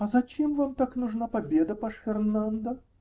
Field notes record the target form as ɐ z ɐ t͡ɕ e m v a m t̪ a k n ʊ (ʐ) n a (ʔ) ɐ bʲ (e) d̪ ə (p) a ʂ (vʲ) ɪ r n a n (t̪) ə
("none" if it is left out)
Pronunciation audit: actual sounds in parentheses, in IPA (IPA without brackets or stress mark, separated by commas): ʐ, p, e, p, fʲ, d̪